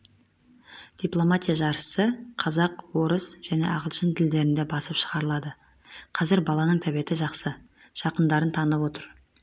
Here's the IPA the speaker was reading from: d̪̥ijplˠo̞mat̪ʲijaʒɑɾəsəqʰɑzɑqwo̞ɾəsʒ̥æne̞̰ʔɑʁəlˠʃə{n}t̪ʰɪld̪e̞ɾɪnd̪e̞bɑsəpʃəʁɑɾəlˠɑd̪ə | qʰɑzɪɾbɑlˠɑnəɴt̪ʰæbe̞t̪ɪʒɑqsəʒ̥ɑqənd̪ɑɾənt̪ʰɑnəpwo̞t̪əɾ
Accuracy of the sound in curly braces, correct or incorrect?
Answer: correct